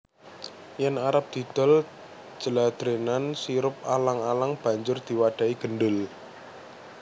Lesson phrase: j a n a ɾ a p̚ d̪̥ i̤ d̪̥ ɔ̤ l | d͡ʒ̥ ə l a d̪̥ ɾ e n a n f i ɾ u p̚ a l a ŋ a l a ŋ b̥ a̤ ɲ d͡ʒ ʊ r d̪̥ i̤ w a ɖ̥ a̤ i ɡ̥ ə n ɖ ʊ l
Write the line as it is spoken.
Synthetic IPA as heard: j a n a ɾ a p̚ d̪̥ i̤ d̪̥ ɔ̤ l | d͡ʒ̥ ə l a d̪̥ ɾ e n a n s i ɾ ʊ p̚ a l a ŋ a l a ŋ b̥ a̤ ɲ d͡ʒ ʊ r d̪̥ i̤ w a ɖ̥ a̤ i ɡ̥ ə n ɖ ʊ l